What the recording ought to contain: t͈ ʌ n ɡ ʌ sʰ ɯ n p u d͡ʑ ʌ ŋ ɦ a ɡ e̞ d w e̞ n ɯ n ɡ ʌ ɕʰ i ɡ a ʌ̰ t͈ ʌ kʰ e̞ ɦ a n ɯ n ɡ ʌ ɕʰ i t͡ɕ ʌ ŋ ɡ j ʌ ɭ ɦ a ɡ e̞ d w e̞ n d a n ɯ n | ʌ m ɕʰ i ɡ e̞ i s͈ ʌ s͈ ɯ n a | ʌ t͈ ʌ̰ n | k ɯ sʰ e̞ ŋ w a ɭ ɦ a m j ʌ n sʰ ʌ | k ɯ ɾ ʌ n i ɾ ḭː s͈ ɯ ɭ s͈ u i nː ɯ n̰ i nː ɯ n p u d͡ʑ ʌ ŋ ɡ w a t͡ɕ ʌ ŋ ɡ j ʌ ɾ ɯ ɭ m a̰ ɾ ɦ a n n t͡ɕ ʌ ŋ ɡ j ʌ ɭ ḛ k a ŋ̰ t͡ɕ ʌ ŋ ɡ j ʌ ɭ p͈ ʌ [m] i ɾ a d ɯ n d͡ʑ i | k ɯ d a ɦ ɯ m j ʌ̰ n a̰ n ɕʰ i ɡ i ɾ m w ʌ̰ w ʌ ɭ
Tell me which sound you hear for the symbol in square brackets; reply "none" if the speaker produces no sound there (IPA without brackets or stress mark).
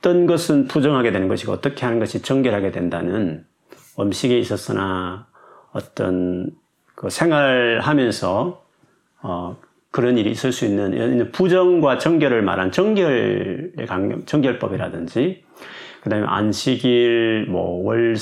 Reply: b